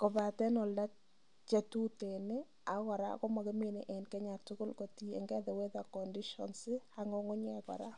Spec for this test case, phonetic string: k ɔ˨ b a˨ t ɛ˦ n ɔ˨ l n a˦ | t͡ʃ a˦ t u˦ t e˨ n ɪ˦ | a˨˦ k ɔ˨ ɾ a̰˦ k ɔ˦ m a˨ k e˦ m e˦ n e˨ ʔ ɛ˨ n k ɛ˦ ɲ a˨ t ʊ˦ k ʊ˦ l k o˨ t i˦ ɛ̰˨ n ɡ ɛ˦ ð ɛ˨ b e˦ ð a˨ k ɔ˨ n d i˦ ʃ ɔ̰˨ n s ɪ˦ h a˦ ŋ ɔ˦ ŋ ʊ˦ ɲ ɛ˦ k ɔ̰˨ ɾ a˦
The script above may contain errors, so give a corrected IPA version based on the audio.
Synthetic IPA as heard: k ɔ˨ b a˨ t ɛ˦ n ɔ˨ l d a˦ | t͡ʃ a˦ t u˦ t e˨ n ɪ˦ | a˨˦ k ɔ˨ ɾ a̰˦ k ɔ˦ m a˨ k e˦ m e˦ n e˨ ʔ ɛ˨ n k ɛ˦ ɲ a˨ t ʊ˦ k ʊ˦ l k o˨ t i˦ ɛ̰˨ ŋ ɡ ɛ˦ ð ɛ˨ w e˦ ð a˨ k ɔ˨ n d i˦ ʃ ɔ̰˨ n s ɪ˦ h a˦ ŋ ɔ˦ ŋ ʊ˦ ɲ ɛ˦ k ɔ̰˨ ɾ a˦